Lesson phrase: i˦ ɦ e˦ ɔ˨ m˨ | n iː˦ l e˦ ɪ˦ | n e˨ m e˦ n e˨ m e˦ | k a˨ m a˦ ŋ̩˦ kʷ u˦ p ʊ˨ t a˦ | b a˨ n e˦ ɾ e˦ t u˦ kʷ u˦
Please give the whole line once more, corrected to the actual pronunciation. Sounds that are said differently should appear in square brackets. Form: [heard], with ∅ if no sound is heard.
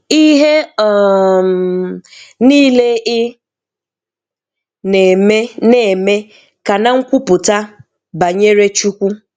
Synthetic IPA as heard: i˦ ɦ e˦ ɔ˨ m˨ | n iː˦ l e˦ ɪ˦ | n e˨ m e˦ n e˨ m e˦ | k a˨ [n] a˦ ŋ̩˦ kʷ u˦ p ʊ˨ t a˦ | b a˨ [ɲ] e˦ ɾ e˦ [t͡ʃ] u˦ kʷ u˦